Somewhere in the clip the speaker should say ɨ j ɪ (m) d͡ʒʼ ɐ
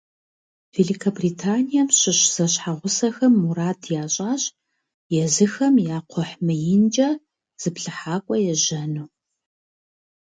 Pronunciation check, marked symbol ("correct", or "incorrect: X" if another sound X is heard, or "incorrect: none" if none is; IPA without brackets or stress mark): incorrect: n